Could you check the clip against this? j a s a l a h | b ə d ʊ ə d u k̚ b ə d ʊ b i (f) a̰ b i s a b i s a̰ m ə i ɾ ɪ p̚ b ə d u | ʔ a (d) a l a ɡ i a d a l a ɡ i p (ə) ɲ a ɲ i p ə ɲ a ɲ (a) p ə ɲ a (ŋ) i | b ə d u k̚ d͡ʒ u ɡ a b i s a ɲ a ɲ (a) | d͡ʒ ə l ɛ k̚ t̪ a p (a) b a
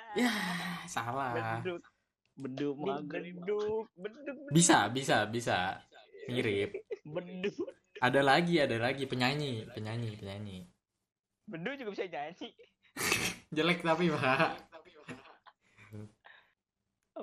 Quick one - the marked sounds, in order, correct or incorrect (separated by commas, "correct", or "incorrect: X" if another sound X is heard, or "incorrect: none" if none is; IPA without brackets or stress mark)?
incorrect: s, correct, correct, incorrect: i, incorrect: ɲ, incorrect: i, incorrect: i